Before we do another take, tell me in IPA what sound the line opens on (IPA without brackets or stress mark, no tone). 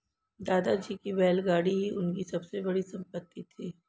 d̪